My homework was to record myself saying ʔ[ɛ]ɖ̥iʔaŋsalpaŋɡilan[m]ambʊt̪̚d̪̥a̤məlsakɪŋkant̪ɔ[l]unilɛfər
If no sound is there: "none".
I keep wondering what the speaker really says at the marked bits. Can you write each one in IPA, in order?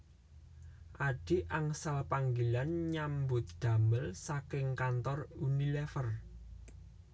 a, ɲ, r

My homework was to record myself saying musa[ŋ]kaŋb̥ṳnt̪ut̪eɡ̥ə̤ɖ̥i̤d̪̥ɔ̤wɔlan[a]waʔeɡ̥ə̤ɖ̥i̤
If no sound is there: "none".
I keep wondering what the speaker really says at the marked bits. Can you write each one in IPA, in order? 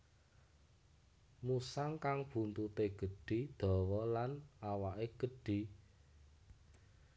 ŋ, a

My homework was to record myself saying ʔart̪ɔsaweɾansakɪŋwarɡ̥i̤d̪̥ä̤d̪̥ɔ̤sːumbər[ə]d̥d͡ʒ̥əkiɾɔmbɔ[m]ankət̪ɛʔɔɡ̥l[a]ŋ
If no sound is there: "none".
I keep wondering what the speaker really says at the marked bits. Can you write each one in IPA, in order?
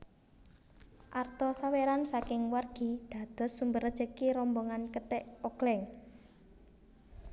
ə, ŋ, ɛ

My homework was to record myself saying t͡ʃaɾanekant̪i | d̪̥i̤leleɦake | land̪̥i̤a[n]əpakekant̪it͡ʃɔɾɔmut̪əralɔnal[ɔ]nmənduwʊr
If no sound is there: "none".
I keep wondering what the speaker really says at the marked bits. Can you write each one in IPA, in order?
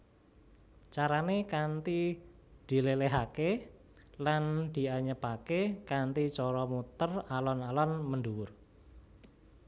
ɲ, ɔ

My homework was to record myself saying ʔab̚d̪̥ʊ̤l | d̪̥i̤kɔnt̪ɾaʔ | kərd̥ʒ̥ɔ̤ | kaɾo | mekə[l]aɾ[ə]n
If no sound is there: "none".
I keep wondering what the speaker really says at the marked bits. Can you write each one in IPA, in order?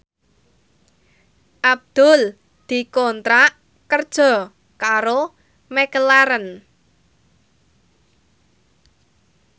l, ə

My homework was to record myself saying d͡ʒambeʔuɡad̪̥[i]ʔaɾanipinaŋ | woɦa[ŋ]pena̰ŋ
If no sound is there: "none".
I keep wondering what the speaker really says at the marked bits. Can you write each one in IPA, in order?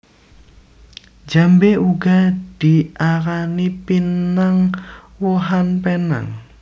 i, n

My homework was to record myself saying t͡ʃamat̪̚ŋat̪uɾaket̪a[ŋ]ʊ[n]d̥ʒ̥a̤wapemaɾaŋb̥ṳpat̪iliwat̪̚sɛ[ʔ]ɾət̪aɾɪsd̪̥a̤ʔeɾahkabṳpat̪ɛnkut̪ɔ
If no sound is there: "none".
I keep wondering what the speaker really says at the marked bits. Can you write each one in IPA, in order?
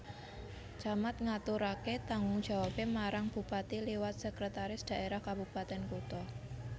ŋ, ŋ, k

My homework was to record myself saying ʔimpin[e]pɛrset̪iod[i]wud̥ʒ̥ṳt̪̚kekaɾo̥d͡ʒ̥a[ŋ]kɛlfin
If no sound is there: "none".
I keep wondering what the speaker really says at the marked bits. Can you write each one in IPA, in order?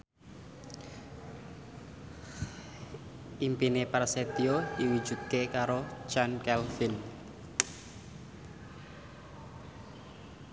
e, i, n

